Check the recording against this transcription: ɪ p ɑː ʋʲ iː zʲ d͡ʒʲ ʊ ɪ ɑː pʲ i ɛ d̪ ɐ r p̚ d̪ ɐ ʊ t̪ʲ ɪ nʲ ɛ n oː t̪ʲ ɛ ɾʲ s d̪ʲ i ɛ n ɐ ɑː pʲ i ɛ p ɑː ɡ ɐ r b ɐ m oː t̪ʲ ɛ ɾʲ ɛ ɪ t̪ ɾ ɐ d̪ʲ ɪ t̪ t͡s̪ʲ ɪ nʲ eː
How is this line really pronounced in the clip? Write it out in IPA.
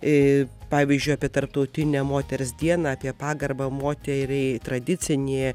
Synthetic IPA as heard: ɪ p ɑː ʋʲ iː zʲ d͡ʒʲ ʊ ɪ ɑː pʲ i ɛ t̪ ɐ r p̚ t̪ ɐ ʊ t̪ʲ ɪ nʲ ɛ m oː t̪ʲ ɛ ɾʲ s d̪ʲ i ɛ n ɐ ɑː pʲ i ɛ p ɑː ɡ ɐ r b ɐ m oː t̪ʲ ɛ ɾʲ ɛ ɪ t̪ ɾ ɐ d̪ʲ ɪ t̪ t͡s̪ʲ ɪ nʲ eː